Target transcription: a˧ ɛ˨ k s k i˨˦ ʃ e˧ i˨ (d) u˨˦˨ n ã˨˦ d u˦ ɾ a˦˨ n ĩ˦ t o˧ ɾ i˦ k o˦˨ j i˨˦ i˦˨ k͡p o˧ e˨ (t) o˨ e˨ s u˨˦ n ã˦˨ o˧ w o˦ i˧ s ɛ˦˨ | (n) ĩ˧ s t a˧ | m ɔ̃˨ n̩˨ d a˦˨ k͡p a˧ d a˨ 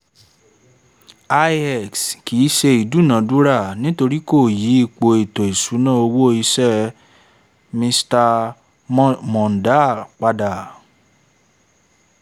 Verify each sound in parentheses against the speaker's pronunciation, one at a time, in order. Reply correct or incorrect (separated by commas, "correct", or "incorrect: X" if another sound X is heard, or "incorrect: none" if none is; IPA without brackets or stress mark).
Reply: correct, correct, incorrect: m